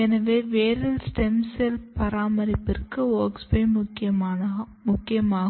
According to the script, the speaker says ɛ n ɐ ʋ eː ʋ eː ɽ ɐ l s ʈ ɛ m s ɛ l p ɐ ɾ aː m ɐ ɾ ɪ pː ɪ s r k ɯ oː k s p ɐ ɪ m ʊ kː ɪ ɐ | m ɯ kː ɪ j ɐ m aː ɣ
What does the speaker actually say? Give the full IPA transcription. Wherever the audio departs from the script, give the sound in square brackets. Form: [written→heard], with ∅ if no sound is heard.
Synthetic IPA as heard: ɛ n ɐ ʋ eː ʋ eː [ɽ→ɾ] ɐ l s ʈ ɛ m s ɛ l p ɐ ɾ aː m ɐ ɾ ɪ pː ɪ [s→∅] r k ɯ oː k s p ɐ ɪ m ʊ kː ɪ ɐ | m [ɯ→ʊ] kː ɪ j ɐ m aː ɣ